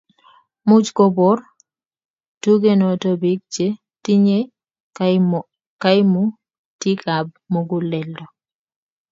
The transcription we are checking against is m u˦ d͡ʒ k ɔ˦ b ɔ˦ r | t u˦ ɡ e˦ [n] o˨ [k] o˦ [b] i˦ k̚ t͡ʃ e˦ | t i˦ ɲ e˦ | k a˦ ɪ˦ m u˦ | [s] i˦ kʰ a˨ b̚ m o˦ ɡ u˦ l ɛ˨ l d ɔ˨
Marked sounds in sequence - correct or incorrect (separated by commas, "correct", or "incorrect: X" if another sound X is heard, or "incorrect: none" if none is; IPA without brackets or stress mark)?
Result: correct, incorrect: t, correct, incorrect: t